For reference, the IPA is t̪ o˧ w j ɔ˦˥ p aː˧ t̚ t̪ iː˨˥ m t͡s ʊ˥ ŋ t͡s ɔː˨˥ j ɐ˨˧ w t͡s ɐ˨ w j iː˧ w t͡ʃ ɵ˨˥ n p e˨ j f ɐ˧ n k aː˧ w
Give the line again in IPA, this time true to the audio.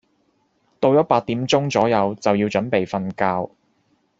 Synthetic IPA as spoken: t̪ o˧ w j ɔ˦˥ p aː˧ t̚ t̪ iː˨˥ m t͡s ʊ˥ ŋ t͡s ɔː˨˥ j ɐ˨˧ w t͡s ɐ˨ w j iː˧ w t͡ʃ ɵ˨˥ n p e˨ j f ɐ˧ n k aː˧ w